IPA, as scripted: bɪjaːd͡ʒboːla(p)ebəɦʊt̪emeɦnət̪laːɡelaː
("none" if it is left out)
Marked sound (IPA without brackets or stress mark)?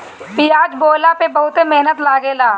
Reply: p